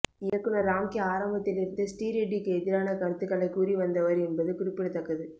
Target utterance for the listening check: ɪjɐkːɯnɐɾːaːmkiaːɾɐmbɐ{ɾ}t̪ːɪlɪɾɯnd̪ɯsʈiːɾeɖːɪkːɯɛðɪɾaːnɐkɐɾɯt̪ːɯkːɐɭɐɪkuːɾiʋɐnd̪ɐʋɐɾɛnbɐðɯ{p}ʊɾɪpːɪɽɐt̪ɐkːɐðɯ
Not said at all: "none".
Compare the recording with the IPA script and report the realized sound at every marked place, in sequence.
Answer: none, k

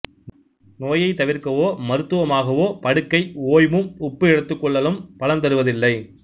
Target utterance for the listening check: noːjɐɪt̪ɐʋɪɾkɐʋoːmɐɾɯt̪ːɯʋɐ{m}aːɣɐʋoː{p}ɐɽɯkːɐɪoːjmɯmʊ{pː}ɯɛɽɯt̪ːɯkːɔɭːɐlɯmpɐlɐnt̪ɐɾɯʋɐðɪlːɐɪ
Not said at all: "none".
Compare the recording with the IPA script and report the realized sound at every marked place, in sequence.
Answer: m, p, pː

